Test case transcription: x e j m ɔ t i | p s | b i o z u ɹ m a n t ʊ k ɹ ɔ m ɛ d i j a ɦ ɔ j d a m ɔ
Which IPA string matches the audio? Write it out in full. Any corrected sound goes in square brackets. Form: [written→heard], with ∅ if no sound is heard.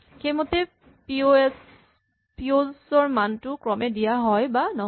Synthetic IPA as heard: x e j m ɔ t [i→ɛ] | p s | [b→p] i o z [u→ɔ] ɹ m a n t ʊ k ɹ ɔ m ɛ d i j a ɦ ɔ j [d→b] a [m→n] ɔ